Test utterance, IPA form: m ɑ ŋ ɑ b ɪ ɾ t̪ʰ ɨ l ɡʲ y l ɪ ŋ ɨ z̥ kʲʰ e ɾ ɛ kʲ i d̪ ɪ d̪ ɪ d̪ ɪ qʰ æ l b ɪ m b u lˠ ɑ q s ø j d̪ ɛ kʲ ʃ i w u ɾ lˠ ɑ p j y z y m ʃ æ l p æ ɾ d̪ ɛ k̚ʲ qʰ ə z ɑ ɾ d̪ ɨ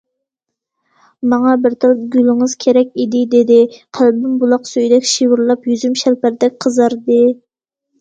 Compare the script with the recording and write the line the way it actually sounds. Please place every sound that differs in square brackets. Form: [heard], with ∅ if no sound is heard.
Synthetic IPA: m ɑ ŋ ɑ b ɪ ɾ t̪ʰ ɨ l ɡʲ y l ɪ ŋ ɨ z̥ kʲʰ e ɾ ɛ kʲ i d̪ ɪ d̪ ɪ d̪ ɪ qʰ æ l b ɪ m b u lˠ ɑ q s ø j d̪ ɛ kʲ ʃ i w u ɾ lˠ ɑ p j y z y m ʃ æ l p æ ɾ d̪ ɛ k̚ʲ qʰ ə z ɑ ɾ d̪ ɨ